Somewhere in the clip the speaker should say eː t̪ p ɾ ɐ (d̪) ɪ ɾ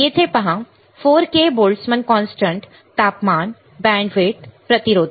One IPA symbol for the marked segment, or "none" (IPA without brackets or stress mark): t̪